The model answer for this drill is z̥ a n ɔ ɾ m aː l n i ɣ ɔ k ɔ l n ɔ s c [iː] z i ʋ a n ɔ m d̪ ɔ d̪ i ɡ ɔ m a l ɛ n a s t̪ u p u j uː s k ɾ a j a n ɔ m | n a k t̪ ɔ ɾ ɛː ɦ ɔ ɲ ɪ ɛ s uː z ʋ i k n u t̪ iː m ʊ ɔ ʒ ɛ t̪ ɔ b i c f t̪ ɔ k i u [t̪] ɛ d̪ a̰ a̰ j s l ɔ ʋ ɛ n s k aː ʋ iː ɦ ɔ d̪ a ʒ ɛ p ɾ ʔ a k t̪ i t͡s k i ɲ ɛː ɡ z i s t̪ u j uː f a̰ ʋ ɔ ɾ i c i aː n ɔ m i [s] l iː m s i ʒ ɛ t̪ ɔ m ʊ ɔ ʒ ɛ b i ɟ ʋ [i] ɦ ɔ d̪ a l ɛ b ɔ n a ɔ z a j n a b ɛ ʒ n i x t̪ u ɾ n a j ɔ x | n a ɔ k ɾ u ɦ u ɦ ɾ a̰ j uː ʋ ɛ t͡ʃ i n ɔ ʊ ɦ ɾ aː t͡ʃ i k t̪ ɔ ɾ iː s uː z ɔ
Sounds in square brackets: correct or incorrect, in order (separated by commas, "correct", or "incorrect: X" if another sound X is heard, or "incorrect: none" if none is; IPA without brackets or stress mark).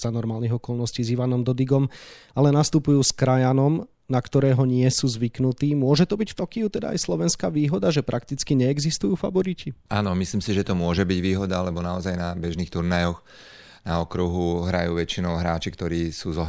correct, correct, correct, incorrect: iː